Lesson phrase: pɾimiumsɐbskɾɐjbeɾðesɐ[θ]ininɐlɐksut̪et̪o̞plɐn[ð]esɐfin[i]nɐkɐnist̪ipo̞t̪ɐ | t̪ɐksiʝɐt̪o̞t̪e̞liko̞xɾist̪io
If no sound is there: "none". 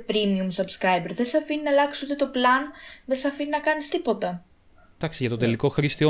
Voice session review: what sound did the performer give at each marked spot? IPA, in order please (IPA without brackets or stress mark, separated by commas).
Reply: f, ð, i